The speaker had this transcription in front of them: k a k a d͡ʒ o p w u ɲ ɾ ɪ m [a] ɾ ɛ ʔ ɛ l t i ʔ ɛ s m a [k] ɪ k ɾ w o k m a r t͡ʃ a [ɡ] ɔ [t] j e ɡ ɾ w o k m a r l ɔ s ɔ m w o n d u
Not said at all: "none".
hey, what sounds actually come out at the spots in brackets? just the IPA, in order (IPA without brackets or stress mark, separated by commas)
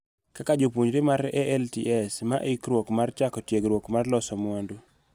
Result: a, ʔ, k, t